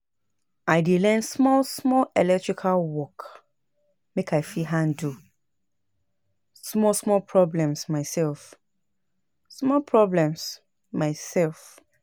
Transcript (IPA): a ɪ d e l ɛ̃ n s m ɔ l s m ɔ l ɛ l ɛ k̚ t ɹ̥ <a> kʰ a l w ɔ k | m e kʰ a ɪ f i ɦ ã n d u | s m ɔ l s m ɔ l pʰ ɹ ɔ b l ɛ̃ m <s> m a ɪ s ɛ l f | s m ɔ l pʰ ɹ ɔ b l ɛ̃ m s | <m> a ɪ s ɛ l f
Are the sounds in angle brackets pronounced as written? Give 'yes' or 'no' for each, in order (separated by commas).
no, yes, yes